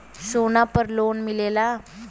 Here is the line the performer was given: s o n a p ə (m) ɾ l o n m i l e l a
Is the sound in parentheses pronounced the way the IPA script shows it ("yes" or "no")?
no